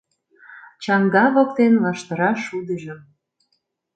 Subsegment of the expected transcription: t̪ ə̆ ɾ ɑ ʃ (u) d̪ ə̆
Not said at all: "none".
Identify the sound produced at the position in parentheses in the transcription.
u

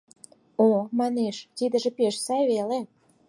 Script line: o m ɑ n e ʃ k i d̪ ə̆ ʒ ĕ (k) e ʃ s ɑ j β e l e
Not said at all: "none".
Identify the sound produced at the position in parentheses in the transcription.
p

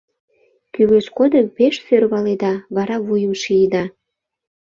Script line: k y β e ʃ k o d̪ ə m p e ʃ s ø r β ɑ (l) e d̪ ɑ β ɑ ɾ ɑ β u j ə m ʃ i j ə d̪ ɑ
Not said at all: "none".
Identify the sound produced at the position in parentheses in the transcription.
l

